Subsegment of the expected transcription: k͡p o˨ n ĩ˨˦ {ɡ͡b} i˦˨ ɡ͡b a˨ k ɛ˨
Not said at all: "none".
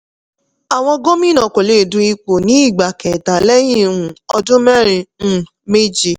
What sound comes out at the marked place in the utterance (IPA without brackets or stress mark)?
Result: none